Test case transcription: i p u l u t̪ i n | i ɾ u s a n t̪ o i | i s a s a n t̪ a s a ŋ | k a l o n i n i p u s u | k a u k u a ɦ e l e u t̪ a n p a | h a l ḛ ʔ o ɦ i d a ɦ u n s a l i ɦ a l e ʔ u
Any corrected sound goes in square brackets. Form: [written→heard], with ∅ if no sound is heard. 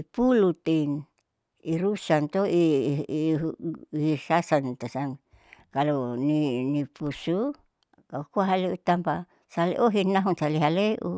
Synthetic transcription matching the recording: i p u l u t̪ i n | i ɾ u s a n t̪ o i | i s a s a n t̪ a s a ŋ | k a l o n i n i p u s u | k a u k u a ɦ [e→a] l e u t̪ a [n→m] p a | [h→s] a l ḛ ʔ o ɦ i [d→n] a ɦ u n s a l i ɦ a l e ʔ u